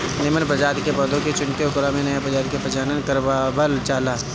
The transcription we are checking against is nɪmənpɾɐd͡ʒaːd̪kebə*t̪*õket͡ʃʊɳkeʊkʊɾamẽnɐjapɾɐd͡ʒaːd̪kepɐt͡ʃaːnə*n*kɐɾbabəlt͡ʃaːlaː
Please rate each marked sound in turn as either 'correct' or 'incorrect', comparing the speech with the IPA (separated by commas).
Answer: incorrect, correct